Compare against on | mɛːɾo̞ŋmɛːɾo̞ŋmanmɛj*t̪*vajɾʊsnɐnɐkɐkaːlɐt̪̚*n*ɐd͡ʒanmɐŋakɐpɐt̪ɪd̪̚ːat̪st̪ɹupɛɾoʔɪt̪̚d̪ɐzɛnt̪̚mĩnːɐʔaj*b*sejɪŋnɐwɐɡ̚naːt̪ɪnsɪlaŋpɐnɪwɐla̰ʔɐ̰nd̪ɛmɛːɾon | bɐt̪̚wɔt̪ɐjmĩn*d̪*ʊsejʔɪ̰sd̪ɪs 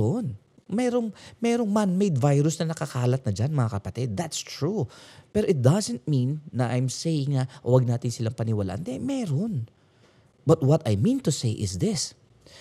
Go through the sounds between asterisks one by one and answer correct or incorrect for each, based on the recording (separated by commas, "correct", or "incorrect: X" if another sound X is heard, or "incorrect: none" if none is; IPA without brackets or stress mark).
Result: incorrect: d̪, correct, incorrect: m, incorrect: t̪